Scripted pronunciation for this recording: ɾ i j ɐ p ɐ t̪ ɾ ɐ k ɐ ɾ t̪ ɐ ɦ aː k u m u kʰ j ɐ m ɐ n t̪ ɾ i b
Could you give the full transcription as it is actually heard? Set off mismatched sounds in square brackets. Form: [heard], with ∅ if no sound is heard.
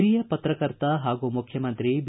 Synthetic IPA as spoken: ɾ i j ɐ p ɐ t̪ ɾ ɐ k ɐ ɾ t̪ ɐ ɦ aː [ɡ] u m u kʰ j ɐ m ɐ n t̪ ɾ i b